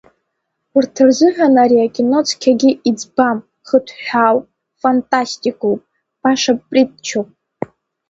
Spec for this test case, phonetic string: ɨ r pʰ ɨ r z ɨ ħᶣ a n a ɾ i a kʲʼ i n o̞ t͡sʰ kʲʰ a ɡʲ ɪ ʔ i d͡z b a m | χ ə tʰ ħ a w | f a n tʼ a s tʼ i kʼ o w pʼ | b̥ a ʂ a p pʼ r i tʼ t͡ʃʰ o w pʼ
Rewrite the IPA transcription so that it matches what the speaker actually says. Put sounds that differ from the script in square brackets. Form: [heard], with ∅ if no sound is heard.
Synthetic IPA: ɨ r [tʰ] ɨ r z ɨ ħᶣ a n a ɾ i a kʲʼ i n o̞ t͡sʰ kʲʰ a ɡʲ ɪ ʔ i d͡z b a m | χ ə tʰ ħ a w | f a n tʼ a s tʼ i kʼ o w pʼ | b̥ a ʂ a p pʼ r i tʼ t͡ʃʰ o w pʼ